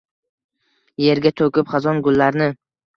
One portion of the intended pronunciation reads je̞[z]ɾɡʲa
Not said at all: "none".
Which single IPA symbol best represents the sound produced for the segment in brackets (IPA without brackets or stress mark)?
none